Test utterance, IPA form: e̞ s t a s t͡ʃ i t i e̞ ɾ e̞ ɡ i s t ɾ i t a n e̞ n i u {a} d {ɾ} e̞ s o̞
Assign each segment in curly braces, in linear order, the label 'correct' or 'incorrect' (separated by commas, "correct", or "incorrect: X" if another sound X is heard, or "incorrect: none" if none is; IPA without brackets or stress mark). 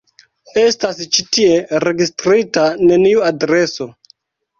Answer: correct, correct